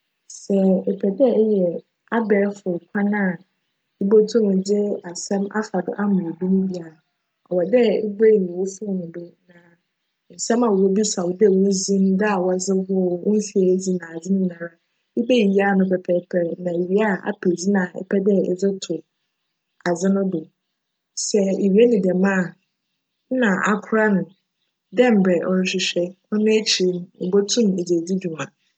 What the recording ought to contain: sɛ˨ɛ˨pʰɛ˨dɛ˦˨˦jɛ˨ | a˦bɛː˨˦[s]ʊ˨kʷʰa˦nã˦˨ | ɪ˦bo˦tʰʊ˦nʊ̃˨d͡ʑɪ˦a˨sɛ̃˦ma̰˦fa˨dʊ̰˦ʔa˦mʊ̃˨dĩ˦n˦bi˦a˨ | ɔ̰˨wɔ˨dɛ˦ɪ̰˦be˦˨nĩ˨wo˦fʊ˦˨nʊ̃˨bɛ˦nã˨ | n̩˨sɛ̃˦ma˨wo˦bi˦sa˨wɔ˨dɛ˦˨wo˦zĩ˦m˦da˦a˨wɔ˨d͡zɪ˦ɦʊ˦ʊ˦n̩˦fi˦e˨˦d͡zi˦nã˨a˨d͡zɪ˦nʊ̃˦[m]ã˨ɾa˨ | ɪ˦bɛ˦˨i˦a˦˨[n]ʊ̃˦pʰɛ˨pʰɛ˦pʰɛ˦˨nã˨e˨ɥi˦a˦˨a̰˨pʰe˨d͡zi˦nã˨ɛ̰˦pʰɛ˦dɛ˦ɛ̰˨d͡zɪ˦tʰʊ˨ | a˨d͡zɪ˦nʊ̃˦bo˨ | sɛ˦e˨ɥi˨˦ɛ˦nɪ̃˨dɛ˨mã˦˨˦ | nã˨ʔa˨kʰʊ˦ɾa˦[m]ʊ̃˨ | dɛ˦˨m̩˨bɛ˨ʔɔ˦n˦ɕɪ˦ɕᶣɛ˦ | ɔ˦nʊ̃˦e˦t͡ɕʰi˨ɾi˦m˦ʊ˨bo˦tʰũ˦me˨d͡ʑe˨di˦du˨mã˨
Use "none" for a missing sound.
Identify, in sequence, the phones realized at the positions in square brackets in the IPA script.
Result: f, n, n, n

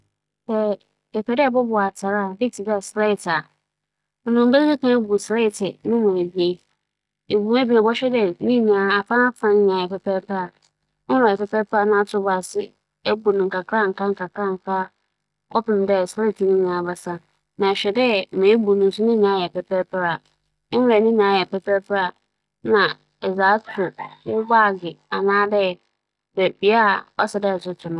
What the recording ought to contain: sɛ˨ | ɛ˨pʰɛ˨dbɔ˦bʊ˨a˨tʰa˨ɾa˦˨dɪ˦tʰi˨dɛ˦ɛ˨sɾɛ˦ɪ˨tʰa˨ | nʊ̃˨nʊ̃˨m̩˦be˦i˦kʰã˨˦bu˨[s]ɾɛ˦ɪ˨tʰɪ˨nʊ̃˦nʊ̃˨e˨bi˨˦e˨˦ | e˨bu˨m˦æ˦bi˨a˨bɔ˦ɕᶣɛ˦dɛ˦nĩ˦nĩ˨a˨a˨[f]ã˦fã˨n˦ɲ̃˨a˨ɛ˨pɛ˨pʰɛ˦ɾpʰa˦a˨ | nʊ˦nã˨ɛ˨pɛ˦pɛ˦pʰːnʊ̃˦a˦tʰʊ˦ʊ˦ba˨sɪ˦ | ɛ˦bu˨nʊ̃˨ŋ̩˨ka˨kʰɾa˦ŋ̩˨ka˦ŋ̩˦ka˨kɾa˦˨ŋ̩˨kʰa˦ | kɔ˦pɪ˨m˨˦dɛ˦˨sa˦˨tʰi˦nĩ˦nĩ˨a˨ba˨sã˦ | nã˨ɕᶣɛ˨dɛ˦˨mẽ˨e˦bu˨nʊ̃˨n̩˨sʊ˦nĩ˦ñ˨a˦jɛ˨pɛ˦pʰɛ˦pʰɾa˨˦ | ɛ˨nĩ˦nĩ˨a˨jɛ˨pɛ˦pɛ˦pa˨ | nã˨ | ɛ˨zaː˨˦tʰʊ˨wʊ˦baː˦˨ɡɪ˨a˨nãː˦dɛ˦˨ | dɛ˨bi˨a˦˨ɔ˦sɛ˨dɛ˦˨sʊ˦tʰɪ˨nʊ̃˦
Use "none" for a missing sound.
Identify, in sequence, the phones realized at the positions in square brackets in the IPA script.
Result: s, f

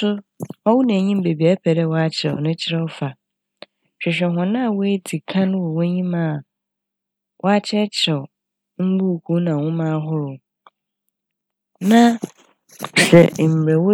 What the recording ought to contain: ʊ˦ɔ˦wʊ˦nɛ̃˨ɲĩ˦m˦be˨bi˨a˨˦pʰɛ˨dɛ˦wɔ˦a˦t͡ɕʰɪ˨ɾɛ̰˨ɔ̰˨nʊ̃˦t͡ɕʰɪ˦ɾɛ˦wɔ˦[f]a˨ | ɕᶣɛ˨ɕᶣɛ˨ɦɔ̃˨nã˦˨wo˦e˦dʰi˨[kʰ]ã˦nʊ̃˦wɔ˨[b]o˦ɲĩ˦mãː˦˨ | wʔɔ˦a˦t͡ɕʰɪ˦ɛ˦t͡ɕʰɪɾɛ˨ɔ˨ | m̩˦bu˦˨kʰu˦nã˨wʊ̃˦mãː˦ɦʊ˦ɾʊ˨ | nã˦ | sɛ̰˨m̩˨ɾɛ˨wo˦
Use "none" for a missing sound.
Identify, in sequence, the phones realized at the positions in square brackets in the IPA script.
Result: f, kʰ, w

